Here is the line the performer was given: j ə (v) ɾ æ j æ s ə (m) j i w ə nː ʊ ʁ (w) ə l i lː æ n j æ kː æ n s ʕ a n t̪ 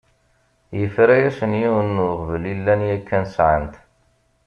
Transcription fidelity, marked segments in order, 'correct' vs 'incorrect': incorrect: f, incorrect: n, incorrect: v

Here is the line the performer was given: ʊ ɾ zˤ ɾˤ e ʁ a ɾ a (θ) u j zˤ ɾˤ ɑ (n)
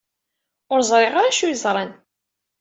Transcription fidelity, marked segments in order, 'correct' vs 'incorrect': incorrect: ʃ, correct

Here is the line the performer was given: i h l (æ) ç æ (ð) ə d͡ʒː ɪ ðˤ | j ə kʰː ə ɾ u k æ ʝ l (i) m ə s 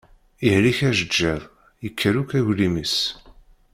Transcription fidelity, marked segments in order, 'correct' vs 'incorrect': incorrect: i, incorrect: ʒ, correct

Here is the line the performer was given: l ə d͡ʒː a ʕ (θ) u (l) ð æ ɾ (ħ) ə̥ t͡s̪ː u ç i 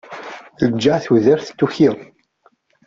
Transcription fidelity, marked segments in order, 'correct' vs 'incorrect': correct, incorrect: none, incorrect: θ

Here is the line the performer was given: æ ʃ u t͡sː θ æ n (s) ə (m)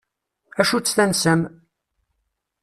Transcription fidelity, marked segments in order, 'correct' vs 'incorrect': correct, correct

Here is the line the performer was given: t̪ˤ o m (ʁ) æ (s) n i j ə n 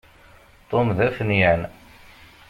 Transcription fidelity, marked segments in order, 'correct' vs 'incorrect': incorrect: ð, incorrect: f

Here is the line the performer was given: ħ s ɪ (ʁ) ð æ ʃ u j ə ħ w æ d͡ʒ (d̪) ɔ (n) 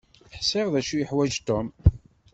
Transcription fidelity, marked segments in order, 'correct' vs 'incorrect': correct, incorrect: t̪, incorrect: m

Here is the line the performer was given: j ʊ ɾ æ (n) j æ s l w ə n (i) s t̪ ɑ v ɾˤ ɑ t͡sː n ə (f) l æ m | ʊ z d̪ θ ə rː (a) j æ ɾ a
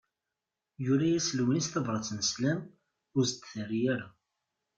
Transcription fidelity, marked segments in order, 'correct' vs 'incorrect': incorrect: none, correct, incorrect: s, incorrect: i

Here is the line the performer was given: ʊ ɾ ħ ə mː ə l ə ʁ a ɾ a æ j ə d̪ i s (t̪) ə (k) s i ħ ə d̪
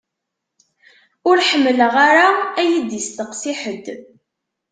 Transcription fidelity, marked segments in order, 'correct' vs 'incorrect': correct, incorrect: q

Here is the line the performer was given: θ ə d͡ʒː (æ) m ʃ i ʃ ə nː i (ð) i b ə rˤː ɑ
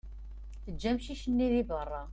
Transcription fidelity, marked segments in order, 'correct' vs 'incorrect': correct, correct

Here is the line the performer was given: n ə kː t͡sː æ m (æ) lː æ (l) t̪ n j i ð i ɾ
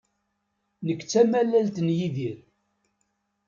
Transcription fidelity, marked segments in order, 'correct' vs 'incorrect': correct, correct

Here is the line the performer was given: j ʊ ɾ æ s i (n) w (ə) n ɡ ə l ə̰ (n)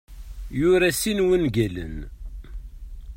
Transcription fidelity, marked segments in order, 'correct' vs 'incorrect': correct, correct, correct

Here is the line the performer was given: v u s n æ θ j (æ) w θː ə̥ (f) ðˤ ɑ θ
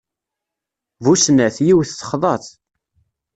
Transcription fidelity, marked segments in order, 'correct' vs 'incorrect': incorrect: i, incorrect: χ

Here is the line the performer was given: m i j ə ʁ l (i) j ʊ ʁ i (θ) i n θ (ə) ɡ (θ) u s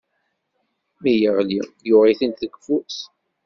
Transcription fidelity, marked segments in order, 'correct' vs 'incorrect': correct, correct, correct, incorrect: f

